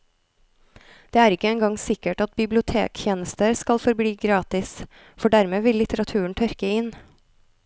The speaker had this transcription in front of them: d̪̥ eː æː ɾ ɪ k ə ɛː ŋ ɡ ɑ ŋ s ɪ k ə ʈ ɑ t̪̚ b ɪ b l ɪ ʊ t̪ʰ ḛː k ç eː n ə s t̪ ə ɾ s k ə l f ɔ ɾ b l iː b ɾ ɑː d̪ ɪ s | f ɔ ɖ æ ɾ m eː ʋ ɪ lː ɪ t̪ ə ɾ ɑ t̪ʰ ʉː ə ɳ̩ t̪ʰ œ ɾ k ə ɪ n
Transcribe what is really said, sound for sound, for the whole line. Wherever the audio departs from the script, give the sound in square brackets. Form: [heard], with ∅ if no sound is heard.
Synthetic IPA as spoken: d̪̥ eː æː ɾ ɪ k ə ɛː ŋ ɡ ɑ ŋ s ɪ k ə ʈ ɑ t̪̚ b ɪ b l ɪ ʊ t̪ʰ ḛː k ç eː n ə s t̪ ə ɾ s k [ɑ] l f ɔ ɾ b l iː [ɡ] ɾ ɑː [t̪] ɪ s | f ɔ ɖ æ ɾ m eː ʋ ɪ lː ɪ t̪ ə ɾ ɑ t̪ʰ ʉː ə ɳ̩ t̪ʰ œ ɾ k ə ɪ n